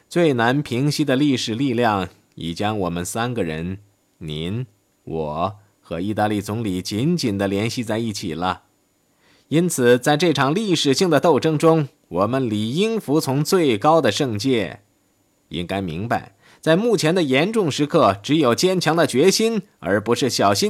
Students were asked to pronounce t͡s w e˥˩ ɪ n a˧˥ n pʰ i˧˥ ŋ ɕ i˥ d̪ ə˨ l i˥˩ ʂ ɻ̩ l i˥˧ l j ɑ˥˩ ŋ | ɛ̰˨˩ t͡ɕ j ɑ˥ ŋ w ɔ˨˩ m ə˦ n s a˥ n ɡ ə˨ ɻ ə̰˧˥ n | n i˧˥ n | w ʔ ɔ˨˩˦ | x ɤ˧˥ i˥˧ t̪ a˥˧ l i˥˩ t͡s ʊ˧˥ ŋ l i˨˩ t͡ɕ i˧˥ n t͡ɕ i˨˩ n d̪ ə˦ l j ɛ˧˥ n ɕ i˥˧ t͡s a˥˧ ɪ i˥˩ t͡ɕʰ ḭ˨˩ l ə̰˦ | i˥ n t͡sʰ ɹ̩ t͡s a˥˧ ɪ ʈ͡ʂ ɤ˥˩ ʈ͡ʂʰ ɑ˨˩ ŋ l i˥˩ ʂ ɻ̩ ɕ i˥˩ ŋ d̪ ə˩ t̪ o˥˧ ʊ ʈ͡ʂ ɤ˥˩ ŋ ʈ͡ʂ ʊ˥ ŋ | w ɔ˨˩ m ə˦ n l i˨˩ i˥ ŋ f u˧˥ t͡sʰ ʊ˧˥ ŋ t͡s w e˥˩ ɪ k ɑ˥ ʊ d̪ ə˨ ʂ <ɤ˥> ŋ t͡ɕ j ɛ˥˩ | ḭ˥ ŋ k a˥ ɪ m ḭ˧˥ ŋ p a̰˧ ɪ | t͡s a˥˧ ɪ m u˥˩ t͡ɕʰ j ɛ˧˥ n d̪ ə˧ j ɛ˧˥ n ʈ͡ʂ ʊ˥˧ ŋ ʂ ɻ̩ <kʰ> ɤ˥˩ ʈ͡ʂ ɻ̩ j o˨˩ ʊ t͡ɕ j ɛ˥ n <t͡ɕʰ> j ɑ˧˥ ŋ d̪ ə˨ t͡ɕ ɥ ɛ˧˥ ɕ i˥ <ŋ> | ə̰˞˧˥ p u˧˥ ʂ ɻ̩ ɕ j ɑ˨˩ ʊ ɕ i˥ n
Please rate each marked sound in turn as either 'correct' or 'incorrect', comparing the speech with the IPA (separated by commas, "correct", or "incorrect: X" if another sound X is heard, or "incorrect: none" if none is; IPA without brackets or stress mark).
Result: incorrect: ɤ˥˧, correct, correct, incorrect: n